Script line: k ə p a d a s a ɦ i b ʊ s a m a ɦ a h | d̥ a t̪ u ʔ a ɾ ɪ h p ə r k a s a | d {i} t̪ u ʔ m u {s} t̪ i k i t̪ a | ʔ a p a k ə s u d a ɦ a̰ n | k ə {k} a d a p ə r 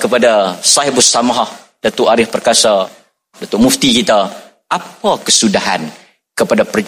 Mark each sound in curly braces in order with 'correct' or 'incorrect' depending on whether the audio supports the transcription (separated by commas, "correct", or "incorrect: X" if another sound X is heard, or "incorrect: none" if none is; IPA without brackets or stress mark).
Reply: incorrect: a, incorrect: f, incorrect: p